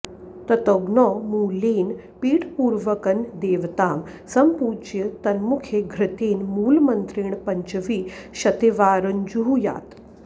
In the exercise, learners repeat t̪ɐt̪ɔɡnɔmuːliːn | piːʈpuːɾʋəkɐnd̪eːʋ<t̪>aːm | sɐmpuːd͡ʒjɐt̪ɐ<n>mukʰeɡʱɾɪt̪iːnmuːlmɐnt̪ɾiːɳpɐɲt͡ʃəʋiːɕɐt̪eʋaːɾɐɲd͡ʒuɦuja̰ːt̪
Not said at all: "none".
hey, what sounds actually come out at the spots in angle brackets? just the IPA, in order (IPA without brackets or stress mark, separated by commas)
t̪, n